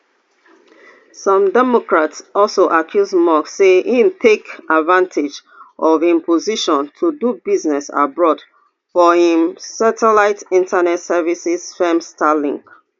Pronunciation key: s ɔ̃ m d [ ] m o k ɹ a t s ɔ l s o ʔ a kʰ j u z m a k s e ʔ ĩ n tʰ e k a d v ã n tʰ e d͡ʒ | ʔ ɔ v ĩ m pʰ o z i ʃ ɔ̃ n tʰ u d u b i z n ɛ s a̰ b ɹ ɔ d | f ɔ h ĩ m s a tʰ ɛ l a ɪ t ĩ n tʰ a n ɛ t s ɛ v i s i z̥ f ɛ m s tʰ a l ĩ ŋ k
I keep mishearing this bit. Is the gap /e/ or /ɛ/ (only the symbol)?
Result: ɛ